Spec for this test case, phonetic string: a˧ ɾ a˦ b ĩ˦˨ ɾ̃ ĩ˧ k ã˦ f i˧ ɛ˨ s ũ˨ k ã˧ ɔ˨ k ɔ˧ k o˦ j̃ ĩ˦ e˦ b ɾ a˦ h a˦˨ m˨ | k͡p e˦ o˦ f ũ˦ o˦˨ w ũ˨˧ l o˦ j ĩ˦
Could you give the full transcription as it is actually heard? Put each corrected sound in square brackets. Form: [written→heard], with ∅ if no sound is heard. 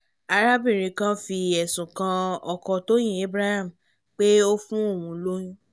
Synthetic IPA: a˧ ɾ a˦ b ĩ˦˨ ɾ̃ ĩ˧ k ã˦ f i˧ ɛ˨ s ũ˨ k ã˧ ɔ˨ k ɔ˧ [k→t] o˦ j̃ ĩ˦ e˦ b ɾ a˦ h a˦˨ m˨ | k͡p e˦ o˦ f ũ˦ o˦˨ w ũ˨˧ l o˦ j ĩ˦